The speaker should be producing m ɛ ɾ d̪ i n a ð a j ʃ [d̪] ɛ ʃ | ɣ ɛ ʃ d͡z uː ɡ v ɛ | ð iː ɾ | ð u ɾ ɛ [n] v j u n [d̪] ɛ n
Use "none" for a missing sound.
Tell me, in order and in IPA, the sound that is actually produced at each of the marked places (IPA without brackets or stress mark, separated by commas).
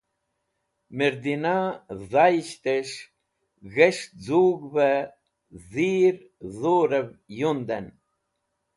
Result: t̪, none, d̪